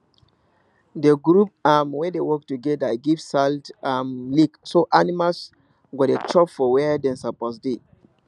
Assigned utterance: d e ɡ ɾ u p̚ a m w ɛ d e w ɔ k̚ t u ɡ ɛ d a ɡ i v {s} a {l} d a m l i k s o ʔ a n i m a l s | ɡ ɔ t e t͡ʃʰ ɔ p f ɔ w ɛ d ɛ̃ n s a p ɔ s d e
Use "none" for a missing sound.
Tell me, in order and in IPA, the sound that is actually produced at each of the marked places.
s, l

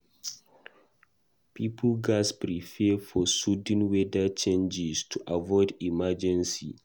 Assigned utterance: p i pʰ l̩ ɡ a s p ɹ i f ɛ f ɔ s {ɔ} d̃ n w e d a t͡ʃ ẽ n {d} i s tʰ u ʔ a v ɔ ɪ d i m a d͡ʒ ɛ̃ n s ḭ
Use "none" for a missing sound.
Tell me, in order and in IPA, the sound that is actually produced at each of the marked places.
u, d͡ʒ

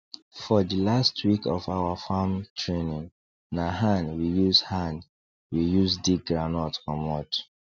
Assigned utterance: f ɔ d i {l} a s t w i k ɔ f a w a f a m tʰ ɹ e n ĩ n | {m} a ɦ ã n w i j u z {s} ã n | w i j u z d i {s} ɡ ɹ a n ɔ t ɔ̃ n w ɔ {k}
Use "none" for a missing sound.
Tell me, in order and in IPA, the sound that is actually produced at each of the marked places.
l, n, h, none, t

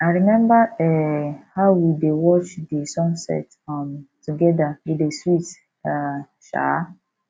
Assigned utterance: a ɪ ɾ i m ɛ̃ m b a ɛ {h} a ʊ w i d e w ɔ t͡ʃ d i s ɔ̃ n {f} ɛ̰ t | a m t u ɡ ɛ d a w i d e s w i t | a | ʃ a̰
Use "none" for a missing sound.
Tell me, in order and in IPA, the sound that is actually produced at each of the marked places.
h, s

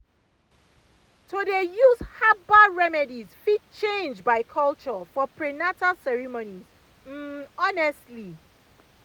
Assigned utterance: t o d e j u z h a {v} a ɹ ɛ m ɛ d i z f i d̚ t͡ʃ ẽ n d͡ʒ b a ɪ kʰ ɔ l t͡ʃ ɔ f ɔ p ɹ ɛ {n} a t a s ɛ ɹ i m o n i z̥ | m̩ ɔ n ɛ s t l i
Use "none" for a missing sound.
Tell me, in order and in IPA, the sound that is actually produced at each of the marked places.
b, n

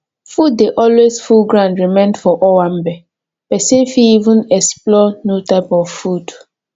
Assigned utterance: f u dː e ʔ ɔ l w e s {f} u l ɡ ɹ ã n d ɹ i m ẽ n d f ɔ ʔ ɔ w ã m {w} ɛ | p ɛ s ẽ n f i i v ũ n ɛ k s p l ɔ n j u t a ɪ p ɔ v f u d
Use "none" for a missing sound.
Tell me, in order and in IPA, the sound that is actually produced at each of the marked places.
f, b

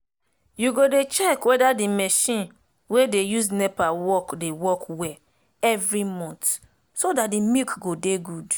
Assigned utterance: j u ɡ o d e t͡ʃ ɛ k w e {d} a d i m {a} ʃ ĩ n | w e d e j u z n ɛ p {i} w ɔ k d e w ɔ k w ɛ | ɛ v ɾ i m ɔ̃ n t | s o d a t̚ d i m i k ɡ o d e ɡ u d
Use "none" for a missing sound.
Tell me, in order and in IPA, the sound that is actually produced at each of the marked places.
d, ɛ, a

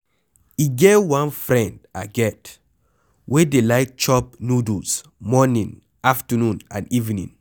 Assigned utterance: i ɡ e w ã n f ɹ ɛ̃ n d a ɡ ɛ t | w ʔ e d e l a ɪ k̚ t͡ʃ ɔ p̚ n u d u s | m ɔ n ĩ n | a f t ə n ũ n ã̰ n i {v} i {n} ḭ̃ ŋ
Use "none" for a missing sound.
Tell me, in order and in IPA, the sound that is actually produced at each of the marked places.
v, n

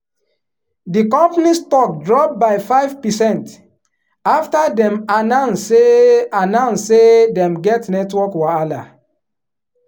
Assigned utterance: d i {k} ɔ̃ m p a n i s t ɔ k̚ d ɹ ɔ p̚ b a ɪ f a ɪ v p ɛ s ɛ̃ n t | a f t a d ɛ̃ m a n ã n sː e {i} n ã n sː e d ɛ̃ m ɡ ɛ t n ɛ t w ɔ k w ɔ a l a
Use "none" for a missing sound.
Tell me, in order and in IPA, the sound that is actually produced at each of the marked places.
k, a

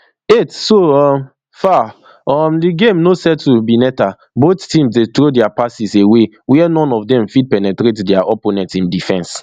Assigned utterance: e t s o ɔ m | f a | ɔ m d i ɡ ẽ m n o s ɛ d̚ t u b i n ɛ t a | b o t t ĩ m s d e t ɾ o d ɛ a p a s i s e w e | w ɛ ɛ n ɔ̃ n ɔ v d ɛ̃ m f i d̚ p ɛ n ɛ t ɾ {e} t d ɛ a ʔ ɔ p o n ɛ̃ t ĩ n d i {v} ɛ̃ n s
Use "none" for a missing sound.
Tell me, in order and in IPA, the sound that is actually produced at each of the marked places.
e, f

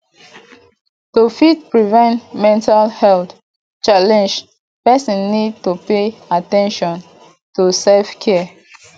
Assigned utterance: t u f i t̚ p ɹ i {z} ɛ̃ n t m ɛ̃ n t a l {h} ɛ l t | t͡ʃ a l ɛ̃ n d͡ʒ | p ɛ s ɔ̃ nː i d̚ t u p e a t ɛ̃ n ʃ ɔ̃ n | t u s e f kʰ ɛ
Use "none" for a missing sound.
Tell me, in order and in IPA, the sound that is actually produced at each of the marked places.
v, h

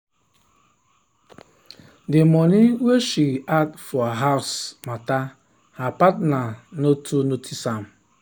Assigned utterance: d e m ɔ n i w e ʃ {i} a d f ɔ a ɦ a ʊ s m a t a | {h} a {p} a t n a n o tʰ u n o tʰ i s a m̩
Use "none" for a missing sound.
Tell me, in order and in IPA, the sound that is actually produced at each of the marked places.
i, h, p

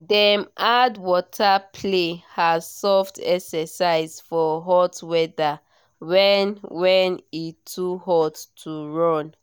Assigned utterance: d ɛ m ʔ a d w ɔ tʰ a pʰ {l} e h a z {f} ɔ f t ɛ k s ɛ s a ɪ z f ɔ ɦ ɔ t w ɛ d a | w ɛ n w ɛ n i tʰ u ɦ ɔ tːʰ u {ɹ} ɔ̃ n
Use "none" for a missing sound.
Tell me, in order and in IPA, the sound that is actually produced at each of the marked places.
l, s, ɹ

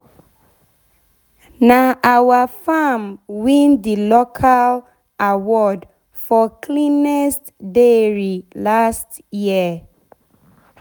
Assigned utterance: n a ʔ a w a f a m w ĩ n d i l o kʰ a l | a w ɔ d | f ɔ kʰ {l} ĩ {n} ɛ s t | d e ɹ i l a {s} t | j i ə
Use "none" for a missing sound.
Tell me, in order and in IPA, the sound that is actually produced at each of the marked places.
l, n, s

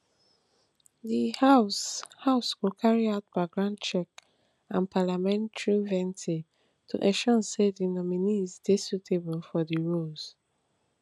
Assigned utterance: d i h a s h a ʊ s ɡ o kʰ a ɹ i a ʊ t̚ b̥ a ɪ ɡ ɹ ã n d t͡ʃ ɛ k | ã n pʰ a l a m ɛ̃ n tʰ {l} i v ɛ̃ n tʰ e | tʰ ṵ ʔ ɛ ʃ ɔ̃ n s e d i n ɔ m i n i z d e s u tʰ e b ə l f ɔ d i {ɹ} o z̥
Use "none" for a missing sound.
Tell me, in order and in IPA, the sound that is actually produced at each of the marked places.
ɹ, ɹ

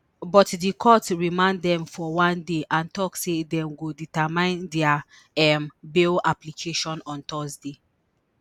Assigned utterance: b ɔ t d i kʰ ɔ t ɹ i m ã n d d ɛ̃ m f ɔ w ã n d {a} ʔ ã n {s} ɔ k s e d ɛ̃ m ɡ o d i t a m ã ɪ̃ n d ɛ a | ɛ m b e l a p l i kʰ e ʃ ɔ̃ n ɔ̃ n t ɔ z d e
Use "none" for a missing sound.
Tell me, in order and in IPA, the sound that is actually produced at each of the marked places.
e, t

